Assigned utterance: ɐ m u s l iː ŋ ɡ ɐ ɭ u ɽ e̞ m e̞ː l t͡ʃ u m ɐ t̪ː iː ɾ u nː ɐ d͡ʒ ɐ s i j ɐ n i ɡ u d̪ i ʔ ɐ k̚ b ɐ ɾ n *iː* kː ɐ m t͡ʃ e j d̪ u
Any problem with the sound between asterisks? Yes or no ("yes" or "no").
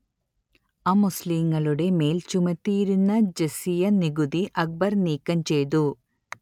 no